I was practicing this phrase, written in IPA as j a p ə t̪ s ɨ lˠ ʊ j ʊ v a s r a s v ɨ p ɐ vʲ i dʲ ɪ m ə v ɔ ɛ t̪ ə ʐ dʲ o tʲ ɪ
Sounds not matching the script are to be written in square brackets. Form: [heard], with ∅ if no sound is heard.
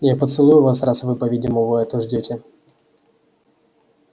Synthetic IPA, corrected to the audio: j a p ə t̪ s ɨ lˠ [u] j ʊ v a s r a s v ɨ p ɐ vʲ i dʲ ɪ m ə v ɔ ɛ t̪ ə ʐ dʲ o tʲ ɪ